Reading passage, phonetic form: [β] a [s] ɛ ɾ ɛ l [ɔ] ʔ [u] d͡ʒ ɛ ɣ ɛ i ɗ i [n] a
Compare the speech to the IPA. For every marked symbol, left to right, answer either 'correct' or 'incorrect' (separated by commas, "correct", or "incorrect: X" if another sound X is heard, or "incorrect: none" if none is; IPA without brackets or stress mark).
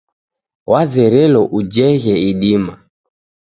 incorrect: w, incorrect: z, correct, correct, incorrect: m